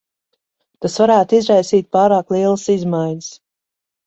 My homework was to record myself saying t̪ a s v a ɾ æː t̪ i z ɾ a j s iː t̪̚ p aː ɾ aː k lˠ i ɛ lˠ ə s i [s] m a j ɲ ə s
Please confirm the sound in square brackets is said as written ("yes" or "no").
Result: no